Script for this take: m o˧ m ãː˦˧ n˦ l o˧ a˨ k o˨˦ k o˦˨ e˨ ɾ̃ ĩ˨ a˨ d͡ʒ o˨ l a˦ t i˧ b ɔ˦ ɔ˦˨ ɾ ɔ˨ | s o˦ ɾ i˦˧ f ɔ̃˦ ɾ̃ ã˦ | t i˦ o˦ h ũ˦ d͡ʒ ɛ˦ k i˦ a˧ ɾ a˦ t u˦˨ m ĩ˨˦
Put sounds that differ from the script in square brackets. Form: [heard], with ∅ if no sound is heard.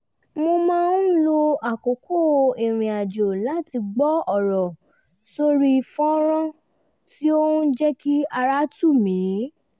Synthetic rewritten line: m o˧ m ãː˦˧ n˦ l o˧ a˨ k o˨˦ k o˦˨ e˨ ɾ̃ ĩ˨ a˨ d͡ʒ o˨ l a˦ t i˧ [ɡ͡b] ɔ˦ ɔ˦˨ ɾ ɔ˨ | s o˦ ɾ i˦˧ f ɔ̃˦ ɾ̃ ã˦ | t i˦ o˦ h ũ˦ d͡ʒ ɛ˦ k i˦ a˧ ɾ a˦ t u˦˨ m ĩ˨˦